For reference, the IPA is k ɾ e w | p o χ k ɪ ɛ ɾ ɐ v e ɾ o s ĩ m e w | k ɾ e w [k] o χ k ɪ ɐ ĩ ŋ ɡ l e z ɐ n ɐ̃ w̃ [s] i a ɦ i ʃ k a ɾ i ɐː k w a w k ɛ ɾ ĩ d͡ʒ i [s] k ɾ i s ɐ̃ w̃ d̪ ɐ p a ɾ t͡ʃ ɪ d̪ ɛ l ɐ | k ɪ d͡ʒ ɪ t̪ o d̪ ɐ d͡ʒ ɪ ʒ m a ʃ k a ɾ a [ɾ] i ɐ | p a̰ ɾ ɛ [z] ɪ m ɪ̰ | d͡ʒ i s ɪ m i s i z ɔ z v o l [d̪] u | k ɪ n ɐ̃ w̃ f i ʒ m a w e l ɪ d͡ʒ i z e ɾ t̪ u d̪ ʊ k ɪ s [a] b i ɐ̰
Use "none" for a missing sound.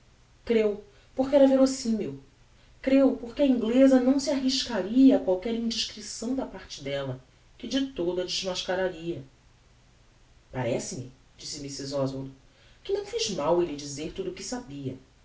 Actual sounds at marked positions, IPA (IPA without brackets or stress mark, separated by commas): p, s, ʃ, ɾ, s, d̪, a